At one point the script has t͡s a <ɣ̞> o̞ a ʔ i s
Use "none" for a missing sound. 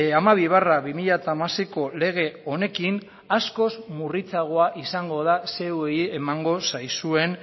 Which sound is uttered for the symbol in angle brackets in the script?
ɣ̞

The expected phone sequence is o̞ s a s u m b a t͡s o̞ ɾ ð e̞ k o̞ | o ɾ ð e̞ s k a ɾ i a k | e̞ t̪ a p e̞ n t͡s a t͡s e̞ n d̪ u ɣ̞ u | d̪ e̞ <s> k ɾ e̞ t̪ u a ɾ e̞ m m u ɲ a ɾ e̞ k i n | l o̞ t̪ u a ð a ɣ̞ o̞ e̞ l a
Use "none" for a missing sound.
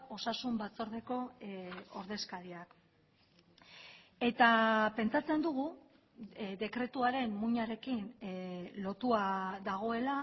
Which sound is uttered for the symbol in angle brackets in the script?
none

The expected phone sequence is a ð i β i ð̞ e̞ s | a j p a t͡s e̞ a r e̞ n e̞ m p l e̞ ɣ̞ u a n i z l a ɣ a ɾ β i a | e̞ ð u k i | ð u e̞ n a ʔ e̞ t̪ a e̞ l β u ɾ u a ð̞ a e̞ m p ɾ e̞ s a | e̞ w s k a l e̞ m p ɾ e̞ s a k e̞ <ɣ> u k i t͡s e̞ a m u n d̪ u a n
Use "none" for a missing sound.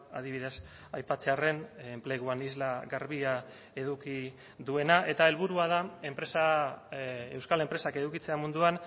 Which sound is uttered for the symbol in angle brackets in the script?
ð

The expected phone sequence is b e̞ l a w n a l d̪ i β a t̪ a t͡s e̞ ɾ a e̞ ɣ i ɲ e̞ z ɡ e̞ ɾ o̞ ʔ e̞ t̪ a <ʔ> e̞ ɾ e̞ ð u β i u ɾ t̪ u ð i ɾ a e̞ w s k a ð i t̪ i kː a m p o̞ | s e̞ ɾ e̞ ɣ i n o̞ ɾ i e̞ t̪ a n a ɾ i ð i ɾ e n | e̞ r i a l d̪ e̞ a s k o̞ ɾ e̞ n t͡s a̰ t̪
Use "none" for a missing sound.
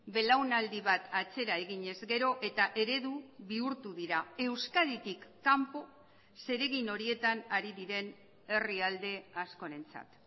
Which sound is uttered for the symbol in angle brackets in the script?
ʔ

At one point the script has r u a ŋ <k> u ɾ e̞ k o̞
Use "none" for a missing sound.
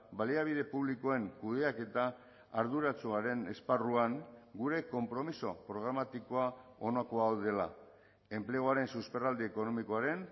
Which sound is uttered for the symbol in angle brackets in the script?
ɡ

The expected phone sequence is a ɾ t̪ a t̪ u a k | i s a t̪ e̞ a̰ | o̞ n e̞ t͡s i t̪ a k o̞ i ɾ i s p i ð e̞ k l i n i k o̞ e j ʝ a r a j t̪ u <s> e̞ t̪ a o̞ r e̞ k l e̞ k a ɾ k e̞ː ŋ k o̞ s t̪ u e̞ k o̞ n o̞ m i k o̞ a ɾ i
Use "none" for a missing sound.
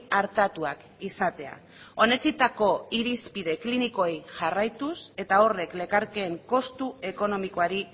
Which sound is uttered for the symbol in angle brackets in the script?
s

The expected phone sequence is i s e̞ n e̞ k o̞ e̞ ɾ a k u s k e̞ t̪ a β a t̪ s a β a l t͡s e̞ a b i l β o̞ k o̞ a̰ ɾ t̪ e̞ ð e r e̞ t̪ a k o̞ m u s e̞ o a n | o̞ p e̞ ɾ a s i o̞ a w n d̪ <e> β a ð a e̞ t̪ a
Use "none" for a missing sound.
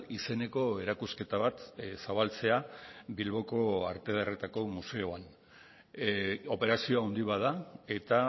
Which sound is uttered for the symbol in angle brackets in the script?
i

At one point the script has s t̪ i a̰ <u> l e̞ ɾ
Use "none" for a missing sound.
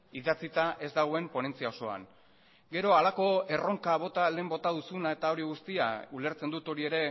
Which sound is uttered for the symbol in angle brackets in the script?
u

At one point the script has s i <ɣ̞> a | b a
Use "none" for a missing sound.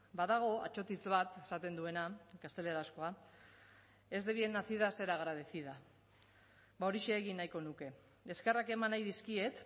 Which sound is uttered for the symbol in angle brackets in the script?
ð̞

